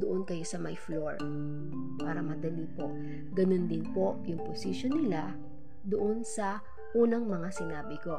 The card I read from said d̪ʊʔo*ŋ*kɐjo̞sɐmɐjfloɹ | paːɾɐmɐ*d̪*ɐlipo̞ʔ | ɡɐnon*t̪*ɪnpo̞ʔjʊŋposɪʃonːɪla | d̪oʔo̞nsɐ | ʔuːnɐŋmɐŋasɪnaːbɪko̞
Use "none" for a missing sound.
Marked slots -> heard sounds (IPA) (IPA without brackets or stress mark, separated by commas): n, d̪, d̪